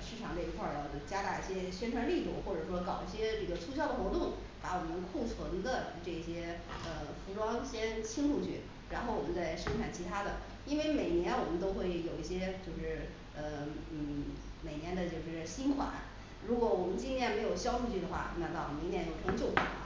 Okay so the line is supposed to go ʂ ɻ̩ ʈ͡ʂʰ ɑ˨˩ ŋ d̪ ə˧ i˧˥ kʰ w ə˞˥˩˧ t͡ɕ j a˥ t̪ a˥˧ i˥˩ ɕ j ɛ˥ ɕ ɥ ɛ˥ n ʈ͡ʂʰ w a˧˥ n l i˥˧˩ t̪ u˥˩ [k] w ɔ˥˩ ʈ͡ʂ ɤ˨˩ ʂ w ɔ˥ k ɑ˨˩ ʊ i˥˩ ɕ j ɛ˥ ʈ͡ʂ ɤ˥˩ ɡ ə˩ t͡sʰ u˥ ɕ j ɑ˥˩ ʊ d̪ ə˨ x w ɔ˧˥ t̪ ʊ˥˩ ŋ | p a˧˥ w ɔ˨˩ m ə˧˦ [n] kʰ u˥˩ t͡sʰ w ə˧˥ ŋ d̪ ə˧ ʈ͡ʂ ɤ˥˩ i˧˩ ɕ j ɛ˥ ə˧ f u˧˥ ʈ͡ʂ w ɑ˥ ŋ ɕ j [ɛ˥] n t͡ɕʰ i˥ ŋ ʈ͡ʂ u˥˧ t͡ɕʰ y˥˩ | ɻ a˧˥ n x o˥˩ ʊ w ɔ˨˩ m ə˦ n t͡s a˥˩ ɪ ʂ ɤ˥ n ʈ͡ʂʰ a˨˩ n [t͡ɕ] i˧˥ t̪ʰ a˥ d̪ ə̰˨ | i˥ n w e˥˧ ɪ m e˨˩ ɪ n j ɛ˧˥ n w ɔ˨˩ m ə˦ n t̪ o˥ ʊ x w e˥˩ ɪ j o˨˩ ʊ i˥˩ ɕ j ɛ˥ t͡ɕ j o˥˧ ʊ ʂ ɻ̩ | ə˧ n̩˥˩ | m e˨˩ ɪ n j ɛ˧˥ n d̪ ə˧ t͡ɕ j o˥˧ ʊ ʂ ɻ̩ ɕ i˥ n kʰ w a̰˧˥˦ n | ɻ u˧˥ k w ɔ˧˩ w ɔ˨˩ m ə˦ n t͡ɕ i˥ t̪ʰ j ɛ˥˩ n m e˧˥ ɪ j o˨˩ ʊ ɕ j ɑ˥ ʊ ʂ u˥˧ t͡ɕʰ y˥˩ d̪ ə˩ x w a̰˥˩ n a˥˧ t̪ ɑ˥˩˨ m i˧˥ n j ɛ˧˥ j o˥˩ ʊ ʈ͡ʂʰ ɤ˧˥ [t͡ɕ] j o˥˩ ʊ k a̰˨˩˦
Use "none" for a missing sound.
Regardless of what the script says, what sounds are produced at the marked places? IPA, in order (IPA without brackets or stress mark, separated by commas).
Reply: x, n, ɛ˥, t͡ɕʰ, t͡ɕ